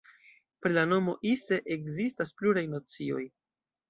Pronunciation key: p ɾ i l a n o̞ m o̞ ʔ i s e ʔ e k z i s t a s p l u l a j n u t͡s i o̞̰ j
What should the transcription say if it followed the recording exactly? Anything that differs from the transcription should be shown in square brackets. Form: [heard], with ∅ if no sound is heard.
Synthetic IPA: p ɾ i l a n o̞ m o̞ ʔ i s e ʔ e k z i s t a s p l u [ɾ] a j n [o] t͡s i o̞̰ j